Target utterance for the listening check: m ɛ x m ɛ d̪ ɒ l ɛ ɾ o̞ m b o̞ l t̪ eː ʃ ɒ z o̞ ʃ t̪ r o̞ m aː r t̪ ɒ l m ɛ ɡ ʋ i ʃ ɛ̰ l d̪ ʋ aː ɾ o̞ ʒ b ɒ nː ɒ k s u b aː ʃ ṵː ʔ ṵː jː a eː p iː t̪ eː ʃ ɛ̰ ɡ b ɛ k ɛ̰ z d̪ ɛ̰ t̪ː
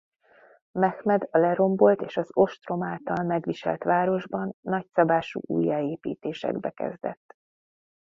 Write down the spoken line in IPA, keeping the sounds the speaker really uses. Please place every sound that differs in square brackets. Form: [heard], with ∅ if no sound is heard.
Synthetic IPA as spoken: m ɛ x m ɛ d̪ ɒ l ɛ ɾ o̞ m b o̞ l t̪ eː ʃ ɒ z o̞ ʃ t̪ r o̞ m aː [l] t̪ ɒ l m ɛ ɡ ʋ i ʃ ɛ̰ l [t̪] ʋ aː ɾ o̞ ʒ b ɒ nː ɒ [c] s [ɒ] b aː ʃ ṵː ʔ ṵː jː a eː p iː t̪ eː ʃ ɛ̰ ɡ b ɛ k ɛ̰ z d̪ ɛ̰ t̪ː